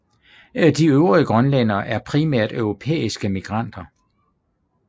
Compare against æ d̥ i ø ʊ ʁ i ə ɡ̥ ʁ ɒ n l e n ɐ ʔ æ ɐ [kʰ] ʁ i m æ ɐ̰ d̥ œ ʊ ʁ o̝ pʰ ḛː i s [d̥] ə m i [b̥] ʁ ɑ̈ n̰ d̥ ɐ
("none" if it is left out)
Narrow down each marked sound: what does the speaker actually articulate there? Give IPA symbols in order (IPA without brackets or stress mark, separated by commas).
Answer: pʰ, ɡ̥, ɡ̥